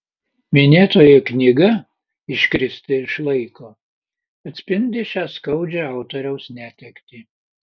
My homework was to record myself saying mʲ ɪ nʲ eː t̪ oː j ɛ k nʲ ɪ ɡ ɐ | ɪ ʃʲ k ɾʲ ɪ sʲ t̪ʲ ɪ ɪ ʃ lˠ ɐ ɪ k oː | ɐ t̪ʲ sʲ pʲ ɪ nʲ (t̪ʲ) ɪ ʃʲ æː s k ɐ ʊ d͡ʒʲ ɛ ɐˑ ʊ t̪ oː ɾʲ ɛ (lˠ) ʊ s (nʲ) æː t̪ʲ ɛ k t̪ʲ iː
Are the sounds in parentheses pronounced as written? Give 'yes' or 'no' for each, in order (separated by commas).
no, no, yes